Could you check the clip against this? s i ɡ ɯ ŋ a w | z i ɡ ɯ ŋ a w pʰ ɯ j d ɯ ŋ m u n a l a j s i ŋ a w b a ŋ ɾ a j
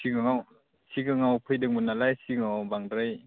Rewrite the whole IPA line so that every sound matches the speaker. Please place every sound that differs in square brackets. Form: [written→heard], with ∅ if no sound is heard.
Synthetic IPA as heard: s i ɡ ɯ ŋ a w | [z→s] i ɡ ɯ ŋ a w pʰ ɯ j d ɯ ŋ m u n a l a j s i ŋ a w b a ŋ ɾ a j